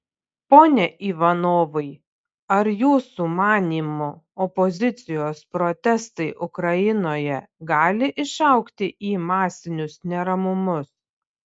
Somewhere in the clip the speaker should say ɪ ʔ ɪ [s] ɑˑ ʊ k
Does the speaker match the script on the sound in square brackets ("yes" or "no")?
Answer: no